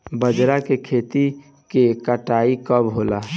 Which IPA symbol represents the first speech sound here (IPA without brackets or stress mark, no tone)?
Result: b